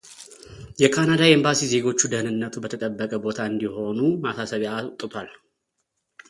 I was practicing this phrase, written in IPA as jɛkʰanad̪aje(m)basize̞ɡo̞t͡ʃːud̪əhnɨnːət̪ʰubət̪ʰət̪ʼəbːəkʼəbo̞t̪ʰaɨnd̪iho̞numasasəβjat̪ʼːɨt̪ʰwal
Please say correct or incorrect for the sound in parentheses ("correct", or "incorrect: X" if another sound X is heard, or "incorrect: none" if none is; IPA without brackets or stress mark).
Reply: correct